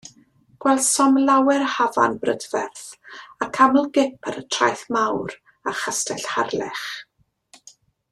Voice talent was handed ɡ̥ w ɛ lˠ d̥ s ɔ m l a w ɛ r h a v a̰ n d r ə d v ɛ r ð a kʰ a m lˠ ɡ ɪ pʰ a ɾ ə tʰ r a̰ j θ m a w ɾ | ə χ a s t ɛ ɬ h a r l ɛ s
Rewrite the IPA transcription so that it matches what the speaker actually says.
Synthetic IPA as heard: ɡ̥ w ɛ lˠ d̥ s ɔ m l a w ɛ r h a v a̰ n b r ə d v ɛ r θ a kʰ a m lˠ ɡ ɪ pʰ a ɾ ə tʰ r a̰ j θ m a w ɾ | a χ a s t ɛ ɬ h a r l ɛ χ